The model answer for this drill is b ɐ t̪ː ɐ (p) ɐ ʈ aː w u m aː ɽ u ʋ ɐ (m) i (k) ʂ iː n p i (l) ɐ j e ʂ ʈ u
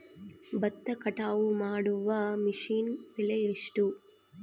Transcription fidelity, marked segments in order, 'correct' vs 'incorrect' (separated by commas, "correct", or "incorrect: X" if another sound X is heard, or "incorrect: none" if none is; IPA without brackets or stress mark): incorrect: k, correct, incorrect: none, correct